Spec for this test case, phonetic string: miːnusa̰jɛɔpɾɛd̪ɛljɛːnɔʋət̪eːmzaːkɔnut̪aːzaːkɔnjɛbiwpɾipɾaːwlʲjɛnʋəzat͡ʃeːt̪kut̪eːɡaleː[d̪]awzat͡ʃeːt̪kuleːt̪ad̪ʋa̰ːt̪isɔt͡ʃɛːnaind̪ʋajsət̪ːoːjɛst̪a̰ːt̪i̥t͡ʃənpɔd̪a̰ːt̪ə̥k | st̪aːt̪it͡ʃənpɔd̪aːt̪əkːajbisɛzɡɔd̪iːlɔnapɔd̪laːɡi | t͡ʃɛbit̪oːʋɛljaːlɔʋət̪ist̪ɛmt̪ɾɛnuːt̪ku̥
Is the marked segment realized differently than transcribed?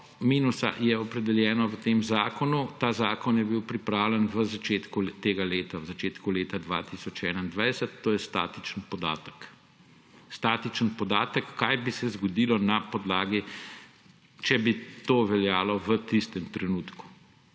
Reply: yes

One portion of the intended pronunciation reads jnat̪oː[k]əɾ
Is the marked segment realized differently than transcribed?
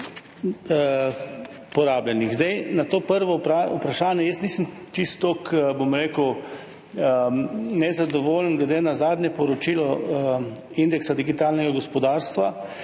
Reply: yes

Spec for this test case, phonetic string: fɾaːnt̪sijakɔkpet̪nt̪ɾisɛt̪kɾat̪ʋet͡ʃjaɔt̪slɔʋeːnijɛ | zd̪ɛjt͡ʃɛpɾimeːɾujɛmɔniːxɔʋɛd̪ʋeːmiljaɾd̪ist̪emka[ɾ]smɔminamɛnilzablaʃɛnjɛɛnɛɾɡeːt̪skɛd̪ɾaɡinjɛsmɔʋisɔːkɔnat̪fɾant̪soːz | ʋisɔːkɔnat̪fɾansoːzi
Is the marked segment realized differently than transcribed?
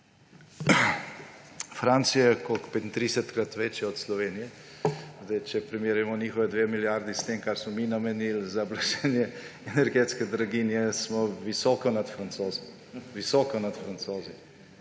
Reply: no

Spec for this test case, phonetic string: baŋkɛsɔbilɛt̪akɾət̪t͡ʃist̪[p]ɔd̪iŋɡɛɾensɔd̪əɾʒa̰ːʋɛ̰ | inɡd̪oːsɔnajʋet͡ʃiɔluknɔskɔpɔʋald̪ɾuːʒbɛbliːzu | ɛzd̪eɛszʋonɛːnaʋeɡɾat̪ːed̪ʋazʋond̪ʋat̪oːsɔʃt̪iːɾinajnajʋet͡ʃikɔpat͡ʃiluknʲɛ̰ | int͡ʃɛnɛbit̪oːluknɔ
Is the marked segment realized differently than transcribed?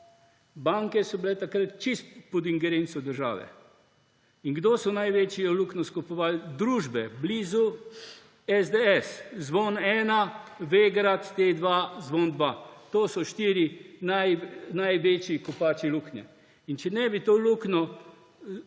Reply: no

